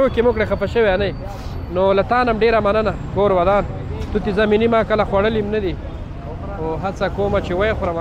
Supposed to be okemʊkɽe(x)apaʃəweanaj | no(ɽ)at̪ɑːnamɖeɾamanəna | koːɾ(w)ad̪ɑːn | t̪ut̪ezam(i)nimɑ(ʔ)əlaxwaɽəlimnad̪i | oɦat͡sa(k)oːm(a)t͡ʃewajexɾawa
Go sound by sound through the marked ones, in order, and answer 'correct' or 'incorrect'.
correct, incorrect, correct, correct, incorrect, correct, correct

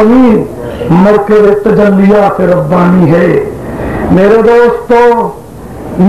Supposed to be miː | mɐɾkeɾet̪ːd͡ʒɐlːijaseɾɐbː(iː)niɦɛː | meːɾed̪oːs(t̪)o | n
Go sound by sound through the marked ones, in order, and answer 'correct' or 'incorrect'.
incorrect, correct

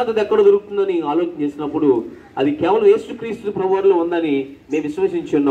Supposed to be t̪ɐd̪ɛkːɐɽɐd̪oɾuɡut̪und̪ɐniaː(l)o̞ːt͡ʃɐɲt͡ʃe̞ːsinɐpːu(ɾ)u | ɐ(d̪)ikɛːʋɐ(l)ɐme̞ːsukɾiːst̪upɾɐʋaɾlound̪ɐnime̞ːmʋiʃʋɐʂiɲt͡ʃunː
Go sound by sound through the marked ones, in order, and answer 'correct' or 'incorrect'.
correct, incorrect, correct, correct

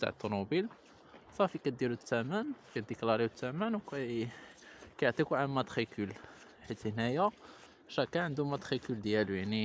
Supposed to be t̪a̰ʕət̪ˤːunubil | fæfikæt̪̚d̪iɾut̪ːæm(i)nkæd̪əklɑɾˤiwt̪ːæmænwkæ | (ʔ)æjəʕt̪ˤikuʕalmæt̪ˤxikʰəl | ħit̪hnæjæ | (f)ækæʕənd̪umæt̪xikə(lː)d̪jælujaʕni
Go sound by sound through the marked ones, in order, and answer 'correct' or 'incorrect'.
incorrect, incorrect, incorrect, incorrect

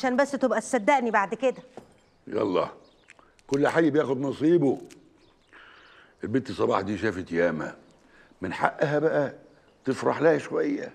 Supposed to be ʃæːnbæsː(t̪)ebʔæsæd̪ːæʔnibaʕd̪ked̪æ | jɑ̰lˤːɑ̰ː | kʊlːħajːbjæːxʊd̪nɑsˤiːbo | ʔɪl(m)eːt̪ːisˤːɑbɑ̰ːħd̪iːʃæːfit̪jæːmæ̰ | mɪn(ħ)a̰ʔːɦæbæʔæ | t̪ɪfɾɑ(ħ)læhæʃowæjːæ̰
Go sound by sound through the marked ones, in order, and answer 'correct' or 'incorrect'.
correct, incorrect, correct, correct

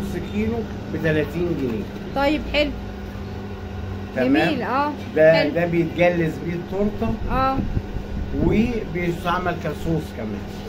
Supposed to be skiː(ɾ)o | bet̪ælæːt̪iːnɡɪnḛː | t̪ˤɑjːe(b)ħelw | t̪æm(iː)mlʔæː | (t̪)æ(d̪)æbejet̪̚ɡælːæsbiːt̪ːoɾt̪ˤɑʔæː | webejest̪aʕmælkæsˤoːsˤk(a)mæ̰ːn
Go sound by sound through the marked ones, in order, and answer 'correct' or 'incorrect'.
incorrect, correct, incorrect, incorrect, correct, incorrect

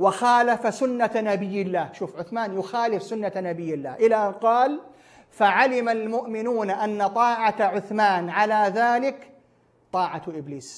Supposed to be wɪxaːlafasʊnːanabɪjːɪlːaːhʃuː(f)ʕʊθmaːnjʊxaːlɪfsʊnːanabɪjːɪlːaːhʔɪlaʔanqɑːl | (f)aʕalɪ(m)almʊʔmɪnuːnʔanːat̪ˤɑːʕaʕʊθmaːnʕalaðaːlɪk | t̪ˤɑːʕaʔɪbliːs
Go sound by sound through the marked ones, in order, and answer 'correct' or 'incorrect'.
correct, correct, correct

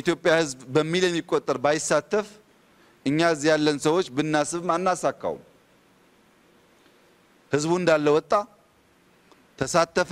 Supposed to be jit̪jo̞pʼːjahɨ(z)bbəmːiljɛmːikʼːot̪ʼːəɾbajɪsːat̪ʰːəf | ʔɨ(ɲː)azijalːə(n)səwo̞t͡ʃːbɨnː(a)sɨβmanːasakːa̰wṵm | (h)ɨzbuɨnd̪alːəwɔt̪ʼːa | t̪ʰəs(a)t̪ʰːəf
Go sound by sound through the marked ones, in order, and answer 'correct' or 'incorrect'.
correct, correct, correct, correct, correct, correct

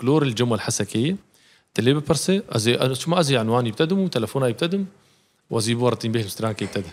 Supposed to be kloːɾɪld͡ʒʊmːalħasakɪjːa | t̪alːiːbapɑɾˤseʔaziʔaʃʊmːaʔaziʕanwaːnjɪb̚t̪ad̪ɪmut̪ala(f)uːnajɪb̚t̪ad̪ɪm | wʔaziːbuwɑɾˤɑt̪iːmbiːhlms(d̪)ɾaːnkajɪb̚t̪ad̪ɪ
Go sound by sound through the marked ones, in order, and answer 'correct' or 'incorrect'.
correct, incorrect

